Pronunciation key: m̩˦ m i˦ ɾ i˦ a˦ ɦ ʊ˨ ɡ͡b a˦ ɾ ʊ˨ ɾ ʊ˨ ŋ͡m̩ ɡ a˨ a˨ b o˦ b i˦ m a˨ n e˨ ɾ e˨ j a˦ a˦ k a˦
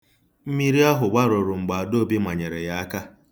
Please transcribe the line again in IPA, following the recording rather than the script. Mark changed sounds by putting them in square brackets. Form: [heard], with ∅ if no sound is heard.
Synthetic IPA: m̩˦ m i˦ ɾ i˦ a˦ ɦ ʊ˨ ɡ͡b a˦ ɾ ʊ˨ ɾ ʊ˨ ŋ͡m̩ [ɡ͡b] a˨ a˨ [d] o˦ b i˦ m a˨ [ɲ] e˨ ɾ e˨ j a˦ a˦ k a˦